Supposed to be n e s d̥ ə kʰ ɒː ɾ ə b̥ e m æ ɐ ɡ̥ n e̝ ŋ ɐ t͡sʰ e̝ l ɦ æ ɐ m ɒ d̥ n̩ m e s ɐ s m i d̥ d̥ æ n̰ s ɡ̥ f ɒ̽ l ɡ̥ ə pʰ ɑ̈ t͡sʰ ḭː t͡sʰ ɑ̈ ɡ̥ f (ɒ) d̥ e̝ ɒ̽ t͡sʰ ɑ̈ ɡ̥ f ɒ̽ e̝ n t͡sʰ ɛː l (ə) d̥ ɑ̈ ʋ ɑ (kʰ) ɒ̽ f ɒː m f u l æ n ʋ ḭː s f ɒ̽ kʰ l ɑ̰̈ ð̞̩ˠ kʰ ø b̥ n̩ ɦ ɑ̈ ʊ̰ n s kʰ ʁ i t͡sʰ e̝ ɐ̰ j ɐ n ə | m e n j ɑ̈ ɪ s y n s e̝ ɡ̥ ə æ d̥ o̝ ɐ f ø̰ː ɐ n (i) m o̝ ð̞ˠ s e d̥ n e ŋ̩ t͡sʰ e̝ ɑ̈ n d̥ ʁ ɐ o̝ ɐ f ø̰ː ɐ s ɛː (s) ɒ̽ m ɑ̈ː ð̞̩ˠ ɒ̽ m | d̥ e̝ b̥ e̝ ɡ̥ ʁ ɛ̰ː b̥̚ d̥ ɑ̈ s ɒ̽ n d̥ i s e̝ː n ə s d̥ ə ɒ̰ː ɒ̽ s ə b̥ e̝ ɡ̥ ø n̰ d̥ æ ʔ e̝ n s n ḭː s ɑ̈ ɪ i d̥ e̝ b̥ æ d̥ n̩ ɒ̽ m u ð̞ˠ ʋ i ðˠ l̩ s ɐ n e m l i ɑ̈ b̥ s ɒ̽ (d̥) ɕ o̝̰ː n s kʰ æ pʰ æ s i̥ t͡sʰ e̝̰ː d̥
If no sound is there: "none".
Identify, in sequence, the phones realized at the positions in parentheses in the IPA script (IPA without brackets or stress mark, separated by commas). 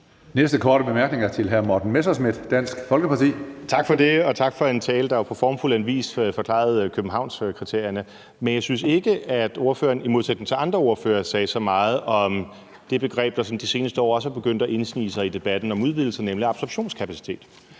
ɒ, ə, pʰ, i, s, b̥